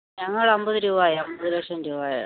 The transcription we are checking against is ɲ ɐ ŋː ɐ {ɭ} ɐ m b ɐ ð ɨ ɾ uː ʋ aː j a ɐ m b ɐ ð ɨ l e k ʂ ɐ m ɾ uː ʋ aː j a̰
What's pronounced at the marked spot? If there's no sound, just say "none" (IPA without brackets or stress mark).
ɭ